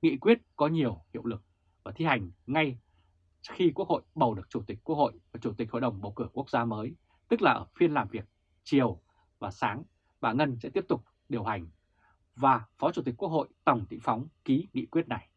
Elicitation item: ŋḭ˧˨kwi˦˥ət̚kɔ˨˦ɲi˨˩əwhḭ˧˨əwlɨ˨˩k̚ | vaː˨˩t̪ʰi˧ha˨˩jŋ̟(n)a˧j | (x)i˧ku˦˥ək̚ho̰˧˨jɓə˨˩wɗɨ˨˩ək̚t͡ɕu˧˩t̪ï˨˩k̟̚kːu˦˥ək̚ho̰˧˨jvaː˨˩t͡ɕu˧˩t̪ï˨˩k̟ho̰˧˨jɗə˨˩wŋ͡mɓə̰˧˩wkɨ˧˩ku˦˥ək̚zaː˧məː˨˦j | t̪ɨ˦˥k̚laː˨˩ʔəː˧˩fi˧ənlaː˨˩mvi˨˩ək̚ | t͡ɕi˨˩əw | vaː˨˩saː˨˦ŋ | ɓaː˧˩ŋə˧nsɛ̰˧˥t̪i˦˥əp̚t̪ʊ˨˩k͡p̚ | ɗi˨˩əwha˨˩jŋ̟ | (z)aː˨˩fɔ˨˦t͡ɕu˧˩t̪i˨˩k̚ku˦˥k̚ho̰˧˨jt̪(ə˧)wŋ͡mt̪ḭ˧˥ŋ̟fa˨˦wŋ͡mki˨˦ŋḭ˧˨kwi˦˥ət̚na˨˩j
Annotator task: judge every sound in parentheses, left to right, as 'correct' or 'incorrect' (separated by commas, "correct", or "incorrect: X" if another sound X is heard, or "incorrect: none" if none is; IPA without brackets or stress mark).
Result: incorrect: ŋ, correct, incorrect: v, incorrect: ə˨˩